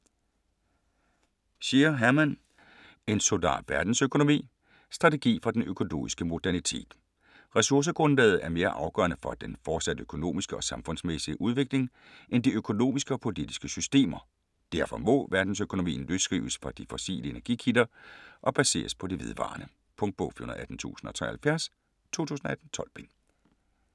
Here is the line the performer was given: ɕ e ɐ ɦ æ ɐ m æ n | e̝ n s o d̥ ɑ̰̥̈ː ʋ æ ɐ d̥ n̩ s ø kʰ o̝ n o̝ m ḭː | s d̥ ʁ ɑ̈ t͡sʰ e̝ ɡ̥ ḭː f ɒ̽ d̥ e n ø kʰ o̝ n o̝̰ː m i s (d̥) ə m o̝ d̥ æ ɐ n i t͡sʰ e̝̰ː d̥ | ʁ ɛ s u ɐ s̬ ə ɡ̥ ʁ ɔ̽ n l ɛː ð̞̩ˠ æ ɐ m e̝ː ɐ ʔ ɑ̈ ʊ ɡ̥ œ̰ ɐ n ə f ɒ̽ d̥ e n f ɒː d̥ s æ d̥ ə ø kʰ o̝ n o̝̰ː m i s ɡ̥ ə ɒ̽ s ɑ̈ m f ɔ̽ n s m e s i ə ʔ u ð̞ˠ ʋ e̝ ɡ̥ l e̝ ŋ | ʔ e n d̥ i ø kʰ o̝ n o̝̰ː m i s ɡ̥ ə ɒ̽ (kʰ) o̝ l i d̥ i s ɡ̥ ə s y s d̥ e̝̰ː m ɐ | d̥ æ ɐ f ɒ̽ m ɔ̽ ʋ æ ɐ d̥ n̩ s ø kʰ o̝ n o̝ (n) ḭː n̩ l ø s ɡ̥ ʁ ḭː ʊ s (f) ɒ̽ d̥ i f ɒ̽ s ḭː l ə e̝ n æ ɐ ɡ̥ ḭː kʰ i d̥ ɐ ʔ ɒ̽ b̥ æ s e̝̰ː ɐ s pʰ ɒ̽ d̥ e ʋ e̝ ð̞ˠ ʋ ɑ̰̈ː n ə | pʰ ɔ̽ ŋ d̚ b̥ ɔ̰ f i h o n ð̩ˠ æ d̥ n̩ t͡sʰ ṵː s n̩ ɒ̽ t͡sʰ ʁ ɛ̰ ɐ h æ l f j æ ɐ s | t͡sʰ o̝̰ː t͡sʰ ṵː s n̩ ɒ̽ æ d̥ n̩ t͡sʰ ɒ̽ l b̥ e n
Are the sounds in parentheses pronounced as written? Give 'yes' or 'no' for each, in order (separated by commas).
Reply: no, no, no, yes